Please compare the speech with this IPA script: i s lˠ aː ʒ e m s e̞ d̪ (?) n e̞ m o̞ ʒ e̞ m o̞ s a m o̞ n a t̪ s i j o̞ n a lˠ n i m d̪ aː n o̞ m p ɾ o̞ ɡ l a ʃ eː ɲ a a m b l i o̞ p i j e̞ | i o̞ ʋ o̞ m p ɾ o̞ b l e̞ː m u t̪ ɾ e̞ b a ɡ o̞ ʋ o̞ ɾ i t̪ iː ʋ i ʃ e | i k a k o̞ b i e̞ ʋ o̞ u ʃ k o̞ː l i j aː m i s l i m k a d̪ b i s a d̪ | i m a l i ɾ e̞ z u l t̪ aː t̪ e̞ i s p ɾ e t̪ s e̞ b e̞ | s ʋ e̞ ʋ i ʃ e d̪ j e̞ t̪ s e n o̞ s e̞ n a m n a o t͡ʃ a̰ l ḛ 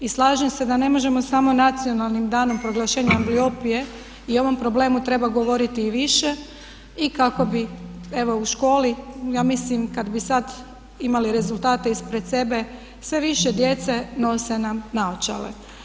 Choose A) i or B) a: B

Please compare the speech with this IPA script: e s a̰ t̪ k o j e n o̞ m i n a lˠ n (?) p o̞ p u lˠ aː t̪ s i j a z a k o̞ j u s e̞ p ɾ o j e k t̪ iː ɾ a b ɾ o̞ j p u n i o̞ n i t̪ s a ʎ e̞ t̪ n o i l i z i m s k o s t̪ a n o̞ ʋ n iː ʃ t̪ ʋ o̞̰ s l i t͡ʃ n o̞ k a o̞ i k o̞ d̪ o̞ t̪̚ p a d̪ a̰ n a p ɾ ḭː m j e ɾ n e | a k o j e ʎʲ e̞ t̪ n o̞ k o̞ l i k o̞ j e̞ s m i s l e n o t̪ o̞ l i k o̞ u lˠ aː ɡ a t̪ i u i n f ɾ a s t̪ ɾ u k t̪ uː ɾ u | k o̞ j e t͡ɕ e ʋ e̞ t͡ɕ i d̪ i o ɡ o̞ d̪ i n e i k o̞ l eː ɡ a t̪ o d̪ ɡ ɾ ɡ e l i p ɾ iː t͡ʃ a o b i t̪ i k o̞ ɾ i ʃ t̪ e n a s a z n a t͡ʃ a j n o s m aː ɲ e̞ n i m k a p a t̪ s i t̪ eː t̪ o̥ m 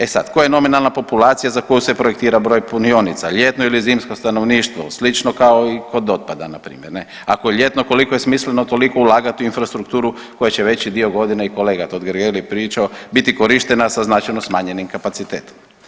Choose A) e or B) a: B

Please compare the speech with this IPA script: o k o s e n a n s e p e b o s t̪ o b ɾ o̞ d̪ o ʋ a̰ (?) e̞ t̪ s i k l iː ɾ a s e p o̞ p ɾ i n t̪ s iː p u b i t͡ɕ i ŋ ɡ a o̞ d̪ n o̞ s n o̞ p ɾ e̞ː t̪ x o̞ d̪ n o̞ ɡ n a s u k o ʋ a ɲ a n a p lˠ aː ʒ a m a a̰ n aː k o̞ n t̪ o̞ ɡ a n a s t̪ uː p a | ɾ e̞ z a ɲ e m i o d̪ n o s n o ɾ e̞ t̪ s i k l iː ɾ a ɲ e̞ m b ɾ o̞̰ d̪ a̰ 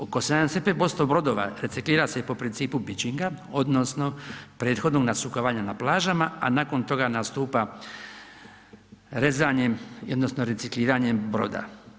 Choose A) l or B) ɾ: B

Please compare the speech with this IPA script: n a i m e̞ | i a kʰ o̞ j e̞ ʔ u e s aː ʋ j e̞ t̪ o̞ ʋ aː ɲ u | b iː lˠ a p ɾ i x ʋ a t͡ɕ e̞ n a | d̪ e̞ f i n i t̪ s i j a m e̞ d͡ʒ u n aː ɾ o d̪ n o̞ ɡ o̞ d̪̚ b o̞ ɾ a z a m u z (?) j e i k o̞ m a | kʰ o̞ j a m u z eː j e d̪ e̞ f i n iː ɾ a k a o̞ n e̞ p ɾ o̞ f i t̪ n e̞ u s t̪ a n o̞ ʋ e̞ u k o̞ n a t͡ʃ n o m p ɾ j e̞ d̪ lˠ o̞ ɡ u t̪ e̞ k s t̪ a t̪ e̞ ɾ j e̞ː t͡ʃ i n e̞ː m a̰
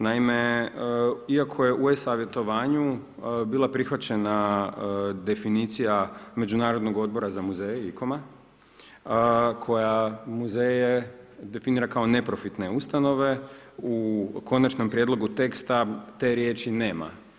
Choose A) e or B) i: A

